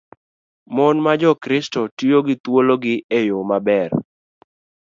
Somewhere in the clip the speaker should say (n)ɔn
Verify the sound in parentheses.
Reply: incorrect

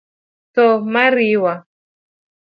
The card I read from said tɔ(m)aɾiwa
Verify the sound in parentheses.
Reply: correct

